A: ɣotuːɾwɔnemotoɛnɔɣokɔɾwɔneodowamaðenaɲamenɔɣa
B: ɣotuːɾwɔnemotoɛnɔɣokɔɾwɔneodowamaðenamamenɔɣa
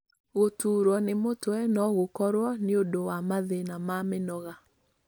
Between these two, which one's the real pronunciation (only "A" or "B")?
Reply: B